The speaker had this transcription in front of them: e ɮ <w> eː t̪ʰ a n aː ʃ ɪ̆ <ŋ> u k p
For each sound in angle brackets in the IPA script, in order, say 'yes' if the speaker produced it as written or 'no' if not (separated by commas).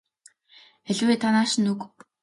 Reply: yes, no